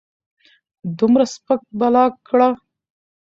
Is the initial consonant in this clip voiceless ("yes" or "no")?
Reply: no